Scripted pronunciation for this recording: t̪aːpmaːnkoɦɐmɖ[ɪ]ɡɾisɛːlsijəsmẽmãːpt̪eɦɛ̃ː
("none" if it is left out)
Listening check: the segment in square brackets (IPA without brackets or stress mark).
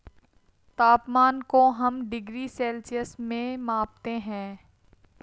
ɪ